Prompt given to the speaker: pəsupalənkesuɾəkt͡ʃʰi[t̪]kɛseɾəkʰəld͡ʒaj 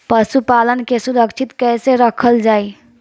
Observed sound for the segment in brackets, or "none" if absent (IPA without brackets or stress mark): t̪